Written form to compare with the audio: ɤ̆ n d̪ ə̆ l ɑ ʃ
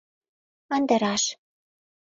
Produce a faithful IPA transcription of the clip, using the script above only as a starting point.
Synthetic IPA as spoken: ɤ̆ n d̪ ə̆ ɾ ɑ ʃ